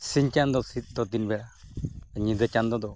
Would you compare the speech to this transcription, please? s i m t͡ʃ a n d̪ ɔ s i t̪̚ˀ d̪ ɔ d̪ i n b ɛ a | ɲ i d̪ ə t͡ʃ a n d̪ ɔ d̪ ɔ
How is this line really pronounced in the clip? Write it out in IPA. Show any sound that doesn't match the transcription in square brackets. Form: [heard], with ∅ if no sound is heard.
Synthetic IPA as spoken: s i [ɲ] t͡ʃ a n d̪ ɔ s i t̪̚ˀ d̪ ɔ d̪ i n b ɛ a | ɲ i d̪ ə t͡ʃ a n d̪ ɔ d̪ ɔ

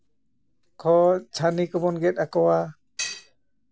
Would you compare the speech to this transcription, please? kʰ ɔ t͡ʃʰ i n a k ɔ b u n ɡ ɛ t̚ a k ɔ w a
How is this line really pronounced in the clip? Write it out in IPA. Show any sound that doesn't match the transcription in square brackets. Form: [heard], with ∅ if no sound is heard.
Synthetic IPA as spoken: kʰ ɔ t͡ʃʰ [a] n [i] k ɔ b [ɔ] n ɡ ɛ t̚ a k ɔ w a

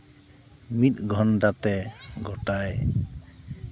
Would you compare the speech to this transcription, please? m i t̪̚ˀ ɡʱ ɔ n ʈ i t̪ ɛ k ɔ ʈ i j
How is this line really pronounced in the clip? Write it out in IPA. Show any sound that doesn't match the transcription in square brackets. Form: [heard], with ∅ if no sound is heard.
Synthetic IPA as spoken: m i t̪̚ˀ ɡʱ ɔ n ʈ [a] t̪ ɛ [ɡ] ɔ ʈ [a] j

